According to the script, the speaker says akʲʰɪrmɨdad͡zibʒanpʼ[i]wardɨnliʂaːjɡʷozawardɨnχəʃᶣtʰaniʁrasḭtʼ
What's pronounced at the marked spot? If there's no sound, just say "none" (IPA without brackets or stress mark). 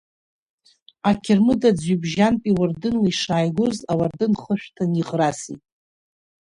i